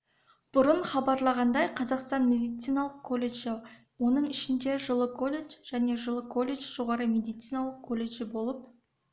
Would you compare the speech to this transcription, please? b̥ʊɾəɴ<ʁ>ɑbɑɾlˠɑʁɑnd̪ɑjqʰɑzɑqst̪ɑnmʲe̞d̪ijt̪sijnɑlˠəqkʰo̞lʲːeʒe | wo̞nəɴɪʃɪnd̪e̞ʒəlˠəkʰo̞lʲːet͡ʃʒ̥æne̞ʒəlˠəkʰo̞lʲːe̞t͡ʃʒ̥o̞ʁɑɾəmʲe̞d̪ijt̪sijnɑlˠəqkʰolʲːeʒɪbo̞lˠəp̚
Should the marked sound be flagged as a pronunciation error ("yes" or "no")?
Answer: yes